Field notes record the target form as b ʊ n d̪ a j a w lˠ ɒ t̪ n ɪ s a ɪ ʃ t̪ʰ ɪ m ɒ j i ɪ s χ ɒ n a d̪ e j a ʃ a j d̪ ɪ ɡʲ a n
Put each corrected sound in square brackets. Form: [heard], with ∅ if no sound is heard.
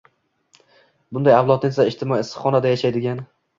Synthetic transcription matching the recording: b ʊ n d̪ a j a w lˠ ɒ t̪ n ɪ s a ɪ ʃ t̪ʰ ɪ m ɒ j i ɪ s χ ɒ n a d̪ [a] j a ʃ a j d̪ ɪ ɡʲ a n